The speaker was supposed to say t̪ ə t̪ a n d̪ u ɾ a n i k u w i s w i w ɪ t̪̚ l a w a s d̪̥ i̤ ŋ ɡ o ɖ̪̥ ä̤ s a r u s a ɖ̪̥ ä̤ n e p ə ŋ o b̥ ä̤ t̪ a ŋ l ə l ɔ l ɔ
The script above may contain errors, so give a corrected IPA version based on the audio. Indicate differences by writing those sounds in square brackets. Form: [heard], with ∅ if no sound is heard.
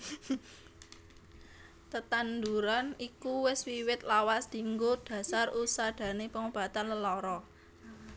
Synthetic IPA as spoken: t̪ ə t̪ a n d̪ u ɾ a n i k u w [ɪ] s w i w ɪ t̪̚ l a w a s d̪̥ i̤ ŋ ɡ o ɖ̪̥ ä̤ s a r u s a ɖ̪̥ ä̤ n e p ə ŋ o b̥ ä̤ t̪ a [n] l ə l ɔ [ɾ] ɔ